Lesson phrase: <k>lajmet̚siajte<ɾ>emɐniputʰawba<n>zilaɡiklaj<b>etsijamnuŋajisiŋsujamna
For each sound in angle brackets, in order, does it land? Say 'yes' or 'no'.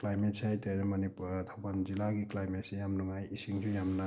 yes, yes, yes, no

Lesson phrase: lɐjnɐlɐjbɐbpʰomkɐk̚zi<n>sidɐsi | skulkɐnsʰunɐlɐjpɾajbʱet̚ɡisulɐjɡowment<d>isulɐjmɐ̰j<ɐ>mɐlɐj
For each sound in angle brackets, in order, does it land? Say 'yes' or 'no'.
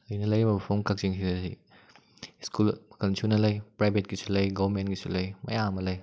no, no, no

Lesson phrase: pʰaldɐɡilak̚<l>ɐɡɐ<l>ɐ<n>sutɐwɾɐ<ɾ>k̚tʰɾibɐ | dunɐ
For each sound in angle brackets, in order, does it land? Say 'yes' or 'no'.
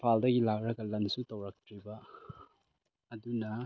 no, yes, yes, no

